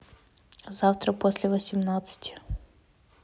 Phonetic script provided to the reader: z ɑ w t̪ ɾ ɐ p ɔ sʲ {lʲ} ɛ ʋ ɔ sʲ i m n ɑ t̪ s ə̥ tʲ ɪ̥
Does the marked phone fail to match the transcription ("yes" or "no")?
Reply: no